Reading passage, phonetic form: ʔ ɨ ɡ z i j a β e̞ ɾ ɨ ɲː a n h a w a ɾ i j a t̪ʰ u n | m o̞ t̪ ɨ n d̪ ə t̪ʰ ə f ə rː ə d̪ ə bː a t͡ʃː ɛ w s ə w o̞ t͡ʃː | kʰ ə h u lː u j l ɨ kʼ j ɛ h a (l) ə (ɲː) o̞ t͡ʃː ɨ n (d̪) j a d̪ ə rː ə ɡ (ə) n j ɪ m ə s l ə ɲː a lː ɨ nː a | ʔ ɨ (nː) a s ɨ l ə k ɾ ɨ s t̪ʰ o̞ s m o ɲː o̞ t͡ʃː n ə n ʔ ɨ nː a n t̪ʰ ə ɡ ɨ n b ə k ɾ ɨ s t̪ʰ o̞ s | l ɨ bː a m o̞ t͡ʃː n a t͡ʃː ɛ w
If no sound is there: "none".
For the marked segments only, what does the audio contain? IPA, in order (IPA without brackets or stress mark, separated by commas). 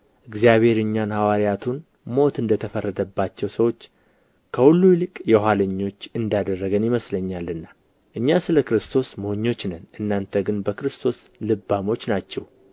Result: l, ɲː, d̪, ə, ɲː